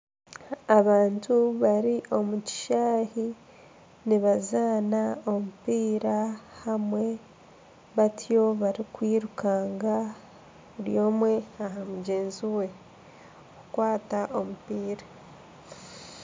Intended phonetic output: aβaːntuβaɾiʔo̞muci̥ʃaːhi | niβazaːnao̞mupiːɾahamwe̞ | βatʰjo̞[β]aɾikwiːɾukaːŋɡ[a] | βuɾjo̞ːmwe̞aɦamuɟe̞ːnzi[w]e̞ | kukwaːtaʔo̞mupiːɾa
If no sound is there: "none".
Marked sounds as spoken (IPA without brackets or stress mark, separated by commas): β, a, w